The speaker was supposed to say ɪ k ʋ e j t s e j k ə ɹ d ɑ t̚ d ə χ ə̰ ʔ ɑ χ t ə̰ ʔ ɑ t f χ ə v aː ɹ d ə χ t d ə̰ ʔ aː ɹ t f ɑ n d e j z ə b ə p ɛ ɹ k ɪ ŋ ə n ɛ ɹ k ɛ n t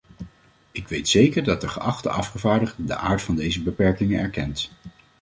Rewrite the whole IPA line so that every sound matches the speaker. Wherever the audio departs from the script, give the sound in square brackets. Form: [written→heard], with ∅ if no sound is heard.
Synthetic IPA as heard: ɪ k ʋ e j t s e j k ə ɹ d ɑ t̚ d ə χ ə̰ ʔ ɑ χ t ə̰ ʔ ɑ [t→∅] f χ ə v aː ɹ d ə χ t d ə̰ ʔ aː ɹ t f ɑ n d e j z ə b ə p ɛ ɹ k ɪ ŋ ə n ɛ ɹ k ɛ n t